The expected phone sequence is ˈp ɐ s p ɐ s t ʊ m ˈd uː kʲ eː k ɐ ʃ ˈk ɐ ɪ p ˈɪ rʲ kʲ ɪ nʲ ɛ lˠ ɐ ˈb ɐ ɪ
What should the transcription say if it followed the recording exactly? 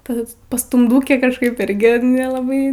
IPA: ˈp ɐ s p ɐ s t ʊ m ˈd uː kʲ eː k ɐ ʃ ˈk ɐ ɪ p ˈɪ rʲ ɡʲ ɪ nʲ ɛ lˠ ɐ ˈb ɐ ɪ